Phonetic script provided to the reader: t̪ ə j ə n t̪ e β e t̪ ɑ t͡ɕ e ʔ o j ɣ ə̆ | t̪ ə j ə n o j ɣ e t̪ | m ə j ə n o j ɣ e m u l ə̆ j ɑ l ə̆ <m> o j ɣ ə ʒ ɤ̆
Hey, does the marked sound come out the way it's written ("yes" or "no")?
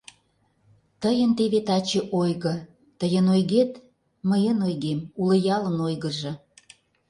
no